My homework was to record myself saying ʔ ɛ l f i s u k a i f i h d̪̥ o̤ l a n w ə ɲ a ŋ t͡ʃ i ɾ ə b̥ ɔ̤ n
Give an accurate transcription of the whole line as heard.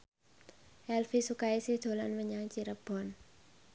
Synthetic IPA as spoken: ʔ ɛ l f i s u k a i s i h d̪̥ o̤ l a n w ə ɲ a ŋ t͡ʃ i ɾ ə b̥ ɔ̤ n